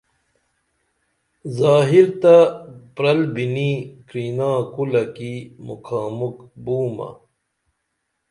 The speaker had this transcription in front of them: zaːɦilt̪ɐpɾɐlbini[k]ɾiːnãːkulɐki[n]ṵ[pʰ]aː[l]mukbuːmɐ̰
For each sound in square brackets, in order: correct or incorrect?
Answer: correct, incorrect, incorrect, incorrect

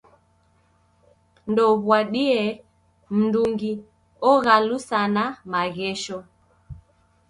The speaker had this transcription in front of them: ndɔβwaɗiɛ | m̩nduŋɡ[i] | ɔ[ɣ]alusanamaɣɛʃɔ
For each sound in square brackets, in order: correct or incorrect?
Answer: correct, correct

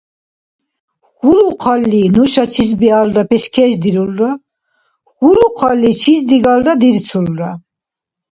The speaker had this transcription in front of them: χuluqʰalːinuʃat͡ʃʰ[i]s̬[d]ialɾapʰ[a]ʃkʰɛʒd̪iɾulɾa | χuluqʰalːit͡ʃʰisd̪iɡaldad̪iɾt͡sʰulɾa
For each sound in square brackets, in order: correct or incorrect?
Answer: correct, incorrect, incorrect

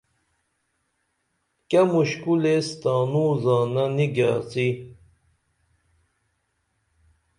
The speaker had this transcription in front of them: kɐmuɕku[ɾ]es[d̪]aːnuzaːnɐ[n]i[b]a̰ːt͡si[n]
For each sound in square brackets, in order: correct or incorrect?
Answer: incorrect, incorrect, correct, incorrect, incorrect

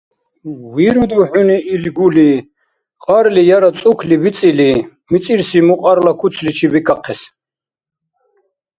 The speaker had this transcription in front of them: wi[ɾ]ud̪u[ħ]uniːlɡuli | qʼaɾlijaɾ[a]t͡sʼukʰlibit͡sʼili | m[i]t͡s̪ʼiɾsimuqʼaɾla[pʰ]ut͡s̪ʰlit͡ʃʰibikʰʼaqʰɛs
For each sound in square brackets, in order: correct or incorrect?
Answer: correct, correct, correct, correct, incorrect

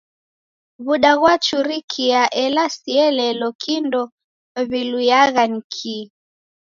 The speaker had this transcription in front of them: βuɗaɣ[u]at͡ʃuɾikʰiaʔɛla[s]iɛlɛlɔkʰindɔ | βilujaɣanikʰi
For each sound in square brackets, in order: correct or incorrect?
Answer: incorrect, correct

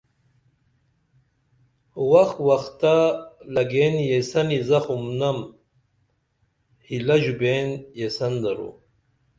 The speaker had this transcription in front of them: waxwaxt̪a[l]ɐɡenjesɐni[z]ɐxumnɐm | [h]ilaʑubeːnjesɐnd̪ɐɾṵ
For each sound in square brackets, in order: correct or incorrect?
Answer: correct, correct, correct

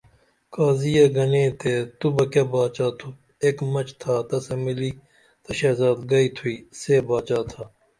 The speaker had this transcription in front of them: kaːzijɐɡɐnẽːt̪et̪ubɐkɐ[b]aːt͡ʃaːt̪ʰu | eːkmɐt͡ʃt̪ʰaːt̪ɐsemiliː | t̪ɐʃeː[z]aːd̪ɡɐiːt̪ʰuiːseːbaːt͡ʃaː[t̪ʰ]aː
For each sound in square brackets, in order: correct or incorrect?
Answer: correct, correct, correct

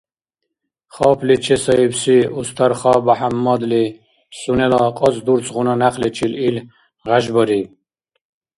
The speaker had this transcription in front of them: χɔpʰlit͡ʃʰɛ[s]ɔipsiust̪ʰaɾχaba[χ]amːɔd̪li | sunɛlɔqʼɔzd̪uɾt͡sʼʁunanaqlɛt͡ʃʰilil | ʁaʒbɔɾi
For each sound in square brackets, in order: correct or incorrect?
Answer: correct, incorrect

